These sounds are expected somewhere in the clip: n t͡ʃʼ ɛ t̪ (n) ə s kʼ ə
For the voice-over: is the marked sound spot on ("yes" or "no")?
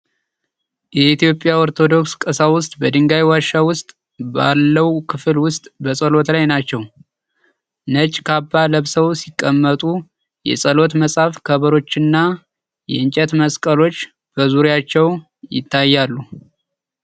no